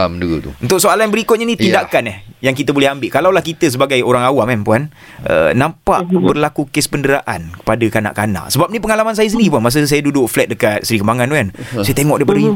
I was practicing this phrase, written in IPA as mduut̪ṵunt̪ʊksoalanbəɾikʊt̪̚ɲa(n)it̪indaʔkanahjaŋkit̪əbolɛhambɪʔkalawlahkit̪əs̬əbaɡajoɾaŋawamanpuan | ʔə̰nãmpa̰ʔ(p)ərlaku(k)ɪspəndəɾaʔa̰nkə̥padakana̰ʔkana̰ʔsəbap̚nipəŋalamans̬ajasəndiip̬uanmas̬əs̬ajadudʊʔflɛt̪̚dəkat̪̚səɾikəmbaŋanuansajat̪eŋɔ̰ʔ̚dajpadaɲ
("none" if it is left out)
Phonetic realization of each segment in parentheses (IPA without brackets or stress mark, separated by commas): n, b, k